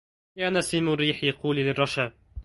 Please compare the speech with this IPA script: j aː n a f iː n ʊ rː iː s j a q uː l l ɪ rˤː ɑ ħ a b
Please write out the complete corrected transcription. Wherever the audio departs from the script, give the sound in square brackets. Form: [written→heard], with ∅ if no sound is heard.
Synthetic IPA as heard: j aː n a [f→s] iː [n→m] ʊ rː iː [s→ħ] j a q uː l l ɪ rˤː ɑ [ħ→ʃ] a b